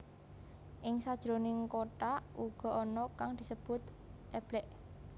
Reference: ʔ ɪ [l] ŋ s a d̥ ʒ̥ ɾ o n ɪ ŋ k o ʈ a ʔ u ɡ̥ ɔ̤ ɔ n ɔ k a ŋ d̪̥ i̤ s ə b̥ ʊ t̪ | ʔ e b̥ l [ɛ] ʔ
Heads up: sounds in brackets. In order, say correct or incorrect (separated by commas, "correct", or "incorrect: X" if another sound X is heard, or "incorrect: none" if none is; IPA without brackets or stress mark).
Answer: incorrect: none, correct